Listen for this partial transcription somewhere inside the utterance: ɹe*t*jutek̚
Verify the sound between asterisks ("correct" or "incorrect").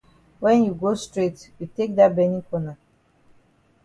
correct